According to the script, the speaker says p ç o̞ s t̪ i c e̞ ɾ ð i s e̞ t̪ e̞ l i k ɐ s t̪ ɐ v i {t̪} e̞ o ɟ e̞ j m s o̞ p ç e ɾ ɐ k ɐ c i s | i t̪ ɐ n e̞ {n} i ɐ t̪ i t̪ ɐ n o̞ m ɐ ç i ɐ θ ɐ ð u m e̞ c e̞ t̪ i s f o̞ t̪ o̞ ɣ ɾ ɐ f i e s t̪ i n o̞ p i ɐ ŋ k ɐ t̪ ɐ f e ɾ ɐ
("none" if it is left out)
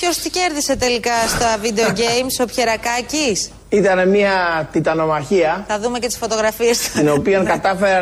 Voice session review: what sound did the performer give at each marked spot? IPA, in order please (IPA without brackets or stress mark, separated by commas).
d̪, m